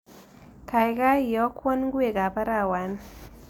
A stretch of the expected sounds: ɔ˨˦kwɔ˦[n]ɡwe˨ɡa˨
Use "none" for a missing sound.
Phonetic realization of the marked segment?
n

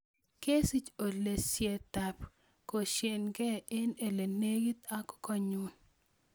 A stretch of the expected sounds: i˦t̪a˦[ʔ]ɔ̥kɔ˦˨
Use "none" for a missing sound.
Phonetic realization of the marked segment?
k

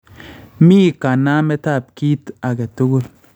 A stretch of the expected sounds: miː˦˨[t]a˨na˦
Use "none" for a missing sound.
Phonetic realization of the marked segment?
k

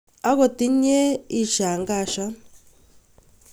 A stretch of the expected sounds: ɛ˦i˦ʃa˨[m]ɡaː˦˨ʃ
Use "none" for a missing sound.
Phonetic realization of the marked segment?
ŋ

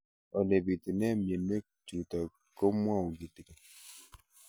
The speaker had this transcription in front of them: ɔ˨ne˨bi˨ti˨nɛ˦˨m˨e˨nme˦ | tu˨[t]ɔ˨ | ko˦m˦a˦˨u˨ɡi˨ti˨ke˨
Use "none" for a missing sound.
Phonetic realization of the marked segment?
t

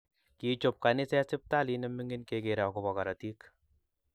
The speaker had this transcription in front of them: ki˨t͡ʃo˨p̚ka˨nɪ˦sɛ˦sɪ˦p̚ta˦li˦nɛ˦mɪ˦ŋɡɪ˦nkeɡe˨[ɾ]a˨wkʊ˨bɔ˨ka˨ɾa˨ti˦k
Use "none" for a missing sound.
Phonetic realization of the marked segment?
ɾ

